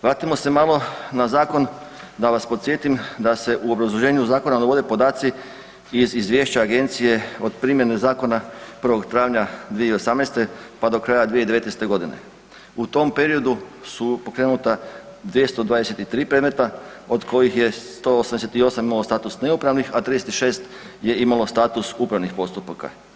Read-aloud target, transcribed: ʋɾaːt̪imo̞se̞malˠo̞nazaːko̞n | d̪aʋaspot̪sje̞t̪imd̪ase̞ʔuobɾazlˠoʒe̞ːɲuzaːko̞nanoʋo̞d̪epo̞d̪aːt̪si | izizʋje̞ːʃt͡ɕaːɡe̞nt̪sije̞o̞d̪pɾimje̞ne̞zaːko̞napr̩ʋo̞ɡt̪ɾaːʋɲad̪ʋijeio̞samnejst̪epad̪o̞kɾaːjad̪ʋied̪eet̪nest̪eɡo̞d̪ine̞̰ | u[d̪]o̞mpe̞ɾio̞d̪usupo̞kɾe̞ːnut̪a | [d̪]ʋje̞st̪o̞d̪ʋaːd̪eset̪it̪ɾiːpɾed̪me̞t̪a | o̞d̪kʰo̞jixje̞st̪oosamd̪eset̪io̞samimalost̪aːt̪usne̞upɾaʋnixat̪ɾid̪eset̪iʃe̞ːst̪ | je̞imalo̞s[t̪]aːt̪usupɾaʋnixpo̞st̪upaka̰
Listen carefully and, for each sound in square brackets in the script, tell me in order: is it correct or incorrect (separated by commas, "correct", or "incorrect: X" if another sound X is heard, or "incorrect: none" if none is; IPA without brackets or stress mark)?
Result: incorrect: t̪, correct, correct